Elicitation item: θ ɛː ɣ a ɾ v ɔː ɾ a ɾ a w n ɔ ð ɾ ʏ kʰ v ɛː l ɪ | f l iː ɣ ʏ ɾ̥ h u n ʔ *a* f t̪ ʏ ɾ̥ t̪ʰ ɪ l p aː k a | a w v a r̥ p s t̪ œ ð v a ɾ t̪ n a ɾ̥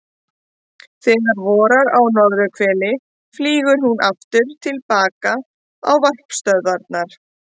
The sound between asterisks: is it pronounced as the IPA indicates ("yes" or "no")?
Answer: yes